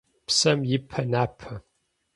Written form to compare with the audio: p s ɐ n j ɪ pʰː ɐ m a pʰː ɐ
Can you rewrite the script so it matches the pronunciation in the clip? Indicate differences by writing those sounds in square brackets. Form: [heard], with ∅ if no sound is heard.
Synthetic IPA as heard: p s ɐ [m] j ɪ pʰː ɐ [n] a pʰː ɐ